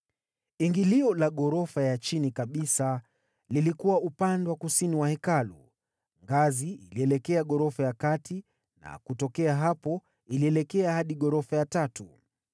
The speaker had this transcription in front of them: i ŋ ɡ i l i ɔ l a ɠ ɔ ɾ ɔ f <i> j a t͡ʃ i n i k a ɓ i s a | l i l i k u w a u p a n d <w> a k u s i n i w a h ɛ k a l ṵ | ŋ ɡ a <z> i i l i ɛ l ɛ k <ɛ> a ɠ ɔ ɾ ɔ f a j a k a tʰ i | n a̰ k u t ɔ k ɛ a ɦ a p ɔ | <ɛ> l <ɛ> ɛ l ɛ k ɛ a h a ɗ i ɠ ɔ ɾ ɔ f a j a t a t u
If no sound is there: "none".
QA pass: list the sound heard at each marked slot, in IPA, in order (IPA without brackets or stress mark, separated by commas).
a, w, z, ɛ, i, i